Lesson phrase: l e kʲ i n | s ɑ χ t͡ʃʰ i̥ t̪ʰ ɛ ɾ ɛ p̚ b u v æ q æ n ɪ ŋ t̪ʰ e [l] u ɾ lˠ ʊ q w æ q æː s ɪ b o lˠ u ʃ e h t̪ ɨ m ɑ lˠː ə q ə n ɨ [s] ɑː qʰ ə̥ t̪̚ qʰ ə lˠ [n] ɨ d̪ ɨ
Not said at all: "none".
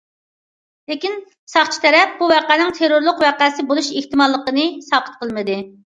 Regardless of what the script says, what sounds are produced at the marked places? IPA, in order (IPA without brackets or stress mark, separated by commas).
ɾ, s, m